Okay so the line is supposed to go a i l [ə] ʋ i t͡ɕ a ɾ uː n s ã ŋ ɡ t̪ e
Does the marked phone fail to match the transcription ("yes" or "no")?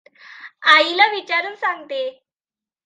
yes